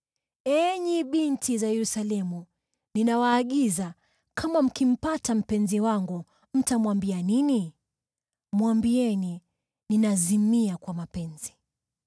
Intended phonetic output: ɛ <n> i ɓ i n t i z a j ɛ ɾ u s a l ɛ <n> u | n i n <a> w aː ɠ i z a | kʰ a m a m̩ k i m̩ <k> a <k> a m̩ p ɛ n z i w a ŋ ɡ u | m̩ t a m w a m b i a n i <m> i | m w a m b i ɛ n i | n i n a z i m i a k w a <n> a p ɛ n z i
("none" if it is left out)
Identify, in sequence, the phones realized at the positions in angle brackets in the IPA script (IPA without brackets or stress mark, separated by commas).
ɲ, m, a, p, t, n, m